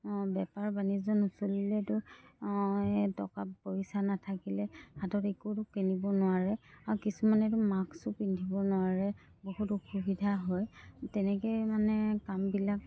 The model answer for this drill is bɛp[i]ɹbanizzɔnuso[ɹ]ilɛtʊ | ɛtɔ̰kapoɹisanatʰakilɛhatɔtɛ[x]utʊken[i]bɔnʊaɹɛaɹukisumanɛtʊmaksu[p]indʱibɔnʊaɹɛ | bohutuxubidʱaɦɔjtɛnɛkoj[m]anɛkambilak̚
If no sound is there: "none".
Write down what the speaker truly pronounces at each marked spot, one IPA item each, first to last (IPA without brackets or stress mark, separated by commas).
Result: a, l, k, i, p, m